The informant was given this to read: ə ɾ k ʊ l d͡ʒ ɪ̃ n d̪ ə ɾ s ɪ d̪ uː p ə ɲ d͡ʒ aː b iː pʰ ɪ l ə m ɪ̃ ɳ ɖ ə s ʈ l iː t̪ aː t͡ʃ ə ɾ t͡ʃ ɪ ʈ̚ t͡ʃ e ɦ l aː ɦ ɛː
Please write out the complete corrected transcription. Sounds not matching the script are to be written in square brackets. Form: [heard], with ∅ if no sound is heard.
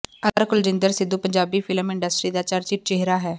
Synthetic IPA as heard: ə ɾ k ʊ l d͡ʒ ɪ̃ n d̪ ə ɾ s ɪ d̪ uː p ə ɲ d͡ʒ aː b iː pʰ ɪ l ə m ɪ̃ ɳ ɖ ə s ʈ [ɾ] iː [d̪] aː t͡ʃ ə ɾ t͡ʃ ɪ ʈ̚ t͡ʃ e ɦ [ɾ] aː ɦ ɛː